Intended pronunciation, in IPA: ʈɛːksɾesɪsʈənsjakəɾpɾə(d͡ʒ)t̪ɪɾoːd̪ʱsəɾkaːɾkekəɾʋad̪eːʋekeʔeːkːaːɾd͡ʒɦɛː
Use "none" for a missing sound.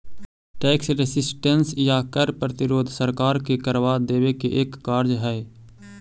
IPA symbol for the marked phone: none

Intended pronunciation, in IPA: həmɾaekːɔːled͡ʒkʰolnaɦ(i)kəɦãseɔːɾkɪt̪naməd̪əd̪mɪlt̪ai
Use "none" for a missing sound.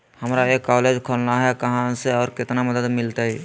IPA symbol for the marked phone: ɛ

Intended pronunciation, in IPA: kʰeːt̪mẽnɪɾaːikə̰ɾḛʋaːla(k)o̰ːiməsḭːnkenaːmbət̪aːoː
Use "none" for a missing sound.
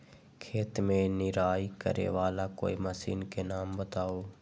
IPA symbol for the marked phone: k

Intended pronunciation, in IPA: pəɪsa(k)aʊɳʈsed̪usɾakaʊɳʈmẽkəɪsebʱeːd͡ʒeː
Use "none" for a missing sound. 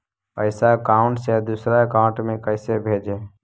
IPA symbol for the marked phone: k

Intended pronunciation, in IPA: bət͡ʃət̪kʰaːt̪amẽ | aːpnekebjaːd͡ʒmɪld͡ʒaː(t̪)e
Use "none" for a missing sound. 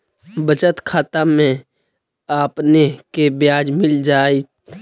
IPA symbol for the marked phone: none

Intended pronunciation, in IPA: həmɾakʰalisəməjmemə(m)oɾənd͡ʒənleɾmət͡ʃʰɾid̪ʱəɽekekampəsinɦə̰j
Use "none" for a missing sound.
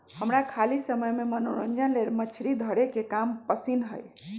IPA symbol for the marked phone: n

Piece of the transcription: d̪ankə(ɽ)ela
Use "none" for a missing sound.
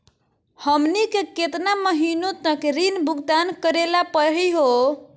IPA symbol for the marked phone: ɾ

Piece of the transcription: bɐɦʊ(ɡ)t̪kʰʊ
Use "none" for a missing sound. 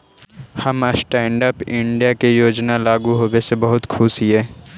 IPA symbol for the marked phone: none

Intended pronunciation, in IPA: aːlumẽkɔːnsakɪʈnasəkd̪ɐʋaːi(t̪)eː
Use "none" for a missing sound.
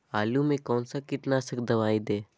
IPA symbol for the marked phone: d̪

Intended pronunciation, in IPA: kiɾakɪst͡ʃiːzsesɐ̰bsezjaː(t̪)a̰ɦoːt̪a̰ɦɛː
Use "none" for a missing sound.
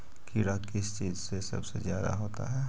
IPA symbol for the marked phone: d̪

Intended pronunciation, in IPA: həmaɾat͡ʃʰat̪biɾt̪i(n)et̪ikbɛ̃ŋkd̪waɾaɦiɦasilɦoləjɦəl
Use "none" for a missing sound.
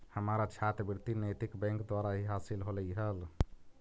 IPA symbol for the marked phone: n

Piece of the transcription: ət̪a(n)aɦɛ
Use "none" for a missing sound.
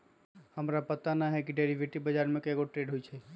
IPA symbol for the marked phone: n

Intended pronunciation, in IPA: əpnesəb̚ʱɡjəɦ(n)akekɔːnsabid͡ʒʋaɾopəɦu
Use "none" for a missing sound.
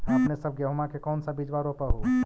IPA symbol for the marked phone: m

